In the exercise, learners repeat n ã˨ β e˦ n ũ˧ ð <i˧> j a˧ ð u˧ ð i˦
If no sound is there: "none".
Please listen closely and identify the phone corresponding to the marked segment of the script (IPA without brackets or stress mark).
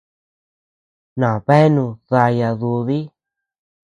a˧